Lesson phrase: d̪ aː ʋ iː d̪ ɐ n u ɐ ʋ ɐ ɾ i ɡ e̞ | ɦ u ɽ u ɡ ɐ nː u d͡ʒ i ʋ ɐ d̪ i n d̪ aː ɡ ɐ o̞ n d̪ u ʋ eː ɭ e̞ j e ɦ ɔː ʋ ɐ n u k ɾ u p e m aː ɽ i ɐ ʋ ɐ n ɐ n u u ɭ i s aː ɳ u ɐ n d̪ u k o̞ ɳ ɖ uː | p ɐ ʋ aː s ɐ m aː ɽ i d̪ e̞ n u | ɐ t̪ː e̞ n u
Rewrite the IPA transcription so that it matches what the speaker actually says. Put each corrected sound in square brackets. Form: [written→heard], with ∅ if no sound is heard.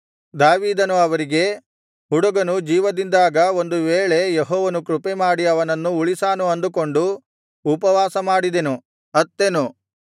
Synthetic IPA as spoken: d̪ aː ʋ iː d̪ ɐ n u ɐ ʋ ɐ ɾ i ɡ e̞ | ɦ u ɽ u ɡ ɐ [nː→n] u d͡ʒ [i→iː] ʋ ɐ d̪ i n d̪ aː ɡ ɐ o̞ n d̪ u ʋ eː ɭ e̞ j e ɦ ɔː ʋ ɐ n u k ɾ u p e m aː ɽ i ɐ ʋ ɐ n ɐ [n→nː] u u ɭ i s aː [ɳ→n] u ɐ n d̪ u k o̞ ɳ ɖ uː | p ɐ ʋ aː s ɐ m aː ɽ i d̪ e̞ n u | ɐ t̪ː e̞ n u